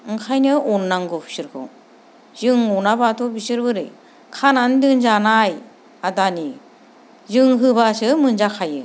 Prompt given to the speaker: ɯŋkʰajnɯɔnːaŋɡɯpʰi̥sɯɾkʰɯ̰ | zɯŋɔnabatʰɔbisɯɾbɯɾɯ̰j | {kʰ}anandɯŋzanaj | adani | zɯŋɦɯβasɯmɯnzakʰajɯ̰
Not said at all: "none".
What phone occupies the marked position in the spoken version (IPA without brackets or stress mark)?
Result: kʰ